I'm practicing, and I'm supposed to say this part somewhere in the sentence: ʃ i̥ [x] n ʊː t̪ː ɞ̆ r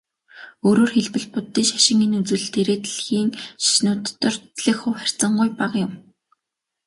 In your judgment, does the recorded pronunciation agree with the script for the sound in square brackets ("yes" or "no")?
no